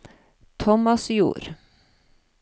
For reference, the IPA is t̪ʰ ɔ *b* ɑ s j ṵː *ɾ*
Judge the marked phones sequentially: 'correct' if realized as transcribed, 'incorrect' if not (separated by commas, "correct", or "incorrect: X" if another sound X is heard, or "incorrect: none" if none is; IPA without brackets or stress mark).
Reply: incorrect: m, correct